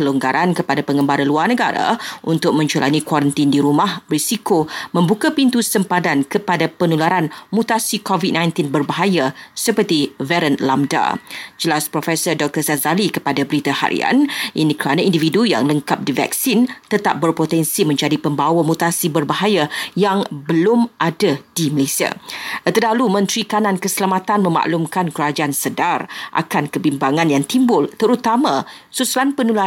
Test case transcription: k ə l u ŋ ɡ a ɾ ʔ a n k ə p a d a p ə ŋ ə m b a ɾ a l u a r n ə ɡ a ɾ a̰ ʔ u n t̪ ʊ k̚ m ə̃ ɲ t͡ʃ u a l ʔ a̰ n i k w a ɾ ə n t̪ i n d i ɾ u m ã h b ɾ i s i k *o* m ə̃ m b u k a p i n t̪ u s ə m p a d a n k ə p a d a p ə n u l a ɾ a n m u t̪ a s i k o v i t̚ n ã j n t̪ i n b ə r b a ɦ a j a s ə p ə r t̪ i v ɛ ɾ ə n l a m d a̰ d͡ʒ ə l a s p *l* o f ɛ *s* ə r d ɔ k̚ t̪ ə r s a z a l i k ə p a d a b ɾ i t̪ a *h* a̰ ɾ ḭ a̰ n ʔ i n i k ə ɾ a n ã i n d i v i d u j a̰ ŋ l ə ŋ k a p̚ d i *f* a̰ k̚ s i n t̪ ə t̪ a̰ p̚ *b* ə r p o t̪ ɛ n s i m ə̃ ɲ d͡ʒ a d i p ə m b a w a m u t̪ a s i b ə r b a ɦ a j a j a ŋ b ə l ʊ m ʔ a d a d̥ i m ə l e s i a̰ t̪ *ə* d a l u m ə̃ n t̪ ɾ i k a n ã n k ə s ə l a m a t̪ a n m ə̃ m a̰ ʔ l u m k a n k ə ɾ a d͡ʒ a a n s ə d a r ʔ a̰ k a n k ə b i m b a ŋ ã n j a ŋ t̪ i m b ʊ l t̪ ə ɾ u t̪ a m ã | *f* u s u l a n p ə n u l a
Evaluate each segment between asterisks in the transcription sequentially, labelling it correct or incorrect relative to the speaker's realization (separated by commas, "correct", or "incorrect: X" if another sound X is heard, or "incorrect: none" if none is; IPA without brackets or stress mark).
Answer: correct, incorrect: ɾ, correct, correct, incorrect: v, correct, correct, incorrect: s